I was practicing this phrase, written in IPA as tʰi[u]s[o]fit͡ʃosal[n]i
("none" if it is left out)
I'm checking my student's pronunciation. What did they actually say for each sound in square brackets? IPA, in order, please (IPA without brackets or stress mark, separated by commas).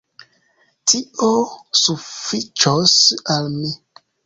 o, u, m